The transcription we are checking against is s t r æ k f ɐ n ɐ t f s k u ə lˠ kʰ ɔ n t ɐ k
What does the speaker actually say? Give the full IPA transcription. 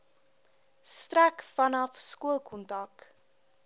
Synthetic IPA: s t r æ k f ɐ n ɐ f s k u ə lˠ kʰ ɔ n t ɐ k